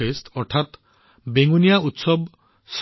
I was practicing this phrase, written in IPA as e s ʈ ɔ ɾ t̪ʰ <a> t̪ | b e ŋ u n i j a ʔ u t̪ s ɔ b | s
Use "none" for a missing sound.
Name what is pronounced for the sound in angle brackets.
a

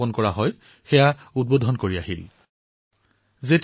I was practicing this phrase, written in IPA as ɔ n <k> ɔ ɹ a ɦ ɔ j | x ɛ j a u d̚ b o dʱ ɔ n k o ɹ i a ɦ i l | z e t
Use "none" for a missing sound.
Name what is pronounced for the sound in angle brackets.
k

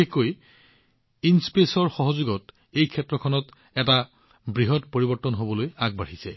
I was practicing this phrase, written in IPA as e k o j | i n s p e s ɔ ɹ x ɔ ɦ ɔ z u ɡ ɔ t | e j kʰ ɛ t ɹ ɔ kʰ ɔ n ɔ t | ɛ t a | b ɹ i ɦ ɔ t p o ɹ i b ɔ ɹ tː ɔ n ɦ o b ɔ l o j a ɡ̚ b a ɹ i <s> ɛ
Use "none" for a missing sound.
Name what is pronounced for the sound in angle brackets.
s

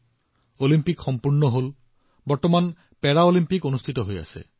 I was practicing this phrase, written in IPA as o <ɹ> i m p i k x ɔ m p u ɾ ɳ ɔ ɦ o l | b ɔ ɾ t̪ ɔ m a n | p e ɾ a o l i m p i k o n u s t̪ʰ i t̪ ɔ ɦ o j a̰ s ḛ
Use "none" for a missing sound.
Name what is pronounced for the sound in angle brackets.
l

